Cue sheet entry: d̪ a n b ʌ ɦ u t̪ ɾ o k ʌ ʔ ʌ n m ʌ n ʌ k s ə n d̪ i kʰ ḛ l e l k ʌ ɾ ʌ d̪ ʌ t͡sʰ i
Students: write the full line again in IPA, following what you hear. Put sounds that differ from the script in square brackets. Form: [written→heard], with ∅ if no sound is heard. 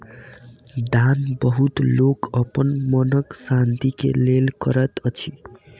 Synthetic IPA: d̪ a n b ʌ ɦ u t̪ [ɾ→l] o k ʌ [ʔ→p] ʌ n m ʌ n ʌ k s [ə→a] n [d̪→t̪] i [kʰ→k] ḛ l e l k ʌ ɾ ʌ [d̪→t̪] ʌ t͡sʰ i

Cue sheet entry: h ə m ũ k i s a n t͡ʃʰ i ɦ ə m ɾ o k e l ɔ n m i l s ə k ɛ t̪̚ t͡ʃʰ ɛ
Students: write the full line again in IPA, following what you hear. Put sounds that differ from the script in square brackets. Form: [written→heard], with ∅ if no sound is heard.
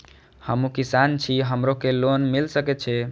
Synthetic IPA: h ə m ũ k i s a n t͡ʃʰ i ɦ ə m ɾ o k e l [ɔ→o] n m i l s ə k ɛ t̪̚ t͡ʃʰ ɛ

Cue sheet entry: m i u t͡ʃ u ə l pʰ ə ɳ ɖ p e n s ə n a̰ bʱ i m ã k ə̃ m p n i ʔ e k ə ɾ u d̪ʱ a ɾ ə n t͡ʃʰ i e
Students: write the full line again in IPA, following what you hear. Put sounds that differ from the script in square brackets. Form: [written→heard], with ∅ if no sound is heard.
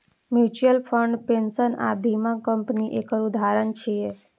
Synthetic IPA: m [i→j] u t͡ʃ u ə l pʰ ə ɳ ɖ p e n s ə n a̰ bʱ i m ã k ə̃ m p n i ʔ e k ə ɾ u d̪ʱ a ɾ ə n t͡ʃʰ i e

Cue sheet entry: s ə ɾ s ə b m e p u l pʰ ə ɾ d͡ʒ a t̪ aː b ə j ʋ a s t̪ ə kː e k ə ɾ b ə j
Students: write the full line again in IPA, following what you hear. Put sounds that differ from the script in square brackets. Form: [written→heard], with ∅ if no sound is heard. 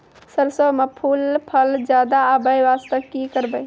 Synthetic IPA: s ə ɾ s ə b m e [p→pʰ] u l pʰ ə [ɾ→l] d͡ʒ a [t̪→d̪] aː b ə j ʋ a s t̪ ə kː [e→i] k ə ɾ b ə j

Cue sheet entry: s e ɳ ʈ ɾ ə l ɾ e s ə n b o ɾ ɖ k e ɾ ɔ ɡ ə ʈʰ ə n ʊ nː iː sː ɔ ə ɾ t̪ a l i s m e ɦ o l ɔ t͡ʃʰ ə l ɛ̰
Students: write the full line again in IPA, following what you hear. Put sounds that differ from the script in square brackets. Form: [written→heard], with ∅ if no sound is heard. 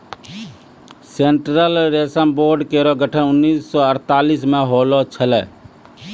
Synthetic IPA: s e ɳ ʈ ɾ ə l ɾ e s ə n b o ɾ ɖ k e ɾ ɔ ɡ ə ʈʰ ə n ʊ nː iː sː ɔ ə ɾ t̪ a l i s m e ɦ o l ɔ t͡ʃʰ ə l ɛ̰

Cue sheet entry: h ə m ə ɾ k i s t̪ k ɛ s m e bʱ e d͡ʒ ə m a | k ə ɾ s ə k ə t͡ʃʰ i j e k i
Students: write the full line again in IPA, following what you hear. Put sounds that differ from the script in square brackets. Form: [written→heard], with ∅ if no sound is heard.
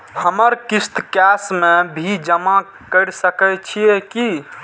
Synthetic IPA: h ə m ə ɾ k i s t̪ k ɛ s m e bʱ [e→i] d͡ʒ ə m a | k ə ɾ s ə k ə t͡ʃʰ i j e k i

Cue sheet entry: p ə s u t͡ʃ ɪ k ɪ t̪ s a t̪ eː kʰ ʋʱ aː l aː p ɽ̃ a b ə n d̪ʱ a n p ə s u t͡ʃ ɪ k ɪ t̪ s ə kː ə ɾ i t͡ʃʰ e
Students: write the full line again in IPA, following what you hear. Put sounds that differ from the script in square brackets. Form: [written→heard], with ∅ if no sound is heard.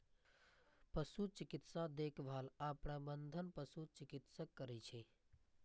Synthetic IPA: p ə s u t͡ʃ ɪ k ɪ t̪ s a [t̪→d̪] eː kʰ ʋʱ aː l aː p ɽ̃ a b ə n d̪ʱ [a→ə] n p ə s u t͡ʃ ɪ k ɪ t̪ s ə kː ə ɾ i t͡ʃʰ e

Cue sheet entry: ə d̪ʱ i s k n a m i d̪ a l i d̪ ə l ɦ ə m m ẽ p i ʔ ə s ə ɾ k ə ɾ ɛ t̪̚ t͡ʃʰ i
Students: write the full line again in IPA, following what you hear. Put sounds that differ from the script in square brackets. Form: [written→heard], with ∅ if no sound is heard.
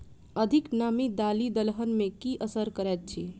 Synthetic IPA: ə d̪ʱ i [s→∅] k n a m i d̪ a l i d̪ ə l ɦ ə [m→n] m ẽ [p→k] i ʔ ə s ə ɾ k ə ɾ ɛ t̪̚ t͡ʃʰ i

